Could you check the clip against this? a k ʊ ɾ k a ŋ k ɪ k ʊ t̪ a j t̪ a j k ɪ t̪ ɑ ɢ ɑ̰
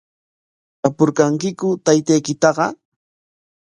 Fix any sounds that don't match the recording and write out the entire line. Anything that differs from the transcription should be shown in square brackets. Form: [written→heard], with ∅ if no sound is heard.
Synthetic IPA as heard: a [k→p] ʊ ɾ k a ŋ k ɪ k ʊ t̪ a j t̪ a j k ɪ t̪ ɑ ɢ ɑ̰